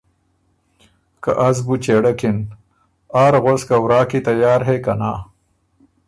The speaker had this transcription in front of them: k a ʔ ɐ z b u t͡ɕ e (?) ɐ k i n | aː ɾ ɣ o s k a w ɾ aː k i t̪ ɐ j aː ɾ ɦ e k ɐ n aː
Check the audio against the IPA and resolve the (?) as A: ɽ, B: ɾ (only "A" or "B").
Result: A